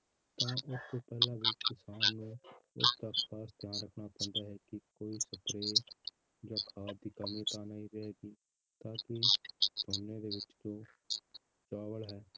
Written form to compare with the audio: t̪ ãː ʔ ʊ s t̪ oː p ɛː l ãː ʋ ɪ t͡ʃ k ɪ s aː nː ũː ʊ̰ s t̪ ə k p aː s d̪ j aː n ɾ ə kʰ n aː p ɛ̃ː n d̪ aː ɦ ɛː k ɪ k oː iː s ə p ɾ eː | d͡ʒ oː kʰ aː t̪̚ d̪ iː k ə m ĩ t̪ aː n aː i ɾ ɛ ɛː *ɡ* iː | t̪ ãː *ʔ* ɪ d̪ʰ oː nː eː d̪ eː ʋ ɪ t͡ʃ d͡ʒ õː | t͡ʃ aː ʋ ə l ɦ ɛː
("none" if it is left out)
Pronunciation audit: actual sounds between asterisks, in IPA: ɡ, k

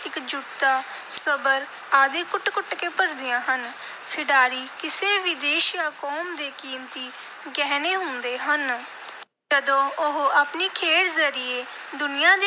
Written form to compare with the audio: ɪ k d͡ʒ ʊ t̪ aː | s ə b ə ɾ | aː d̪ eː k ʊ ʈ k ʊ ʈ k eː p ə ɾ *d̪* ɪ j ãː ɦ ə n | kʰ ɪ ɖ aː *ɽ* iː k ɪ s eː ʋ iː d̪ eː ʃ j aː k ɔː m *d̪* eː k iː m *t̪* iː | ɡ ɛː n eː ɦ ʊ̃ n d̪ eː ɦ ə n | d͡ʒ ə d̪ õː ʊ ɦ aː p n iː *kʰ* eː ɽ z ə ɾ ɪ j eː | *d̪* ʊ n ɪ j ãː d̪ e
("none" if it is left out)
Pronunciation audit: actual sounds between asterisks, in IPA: d̪, ɾ, d̪, t̪, kʰ, d̪

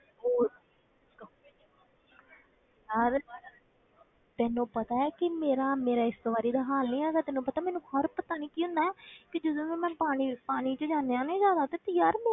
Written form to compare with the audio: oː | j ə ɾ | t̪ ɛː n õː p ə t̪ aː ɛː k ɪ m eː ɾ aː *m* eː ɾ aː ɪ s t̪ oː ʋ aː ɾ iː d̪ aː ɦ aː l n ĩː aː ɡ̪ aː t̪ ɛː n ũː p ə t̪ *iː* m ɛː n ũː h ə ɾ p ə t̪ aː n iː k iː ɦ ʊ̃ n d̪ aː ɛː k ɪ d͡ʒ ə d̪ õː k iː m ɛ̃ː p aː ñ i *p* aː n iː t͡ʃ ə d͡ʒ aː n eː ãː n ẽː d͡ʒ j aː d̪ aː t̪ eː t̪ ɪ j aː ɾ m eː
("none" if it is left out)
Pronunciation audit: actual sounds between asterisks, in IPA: m, aː, p

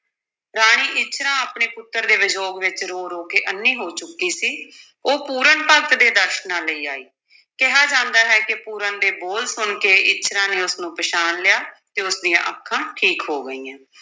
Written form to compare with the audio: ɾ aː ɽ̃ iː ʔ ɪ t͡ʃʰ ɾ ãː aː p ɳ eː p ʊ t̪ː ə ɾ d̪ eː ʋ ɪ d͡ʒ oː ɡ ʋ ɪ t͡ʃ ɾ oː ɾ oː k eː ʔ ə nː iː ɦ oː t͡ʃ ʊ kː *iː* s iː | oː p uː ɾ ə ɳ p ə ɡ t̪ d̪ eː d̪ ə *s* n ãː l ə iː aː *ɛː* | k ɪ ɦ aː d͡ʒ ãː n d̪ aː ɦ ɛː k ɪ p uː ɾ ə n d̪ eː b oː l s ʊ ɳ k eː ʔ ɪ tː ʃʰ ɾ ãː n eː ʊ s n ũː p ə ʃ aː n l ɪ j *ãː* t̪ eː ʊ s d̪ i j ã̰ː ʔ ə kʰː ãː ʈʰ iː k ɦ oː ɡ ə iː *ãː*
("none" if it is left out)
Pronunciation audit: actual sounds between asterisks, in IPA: iː, ʃ, iː, aː, ãː

